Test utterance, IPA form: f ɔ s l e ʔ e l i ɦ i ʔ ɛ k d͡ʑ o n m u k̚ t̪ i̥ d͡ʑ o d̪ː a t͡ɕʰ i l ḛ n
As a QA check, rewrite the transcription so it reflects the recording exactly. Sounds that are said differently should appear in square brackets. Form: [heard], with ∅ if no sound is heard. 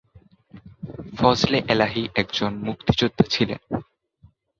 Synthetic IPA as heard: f ɔ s l e ʔ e l [a] ɦ i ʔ ɛ k d͡ʑ o n m u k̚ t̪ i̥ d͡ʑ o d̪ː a t͡ɕʰ i l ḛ n